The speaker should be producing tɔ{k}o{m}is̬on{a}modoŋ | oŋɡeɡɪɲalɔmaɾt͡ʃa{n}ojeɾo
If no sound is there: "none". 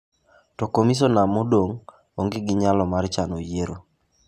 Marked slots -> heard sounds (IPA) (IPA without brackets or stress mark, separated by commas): k, m, a, n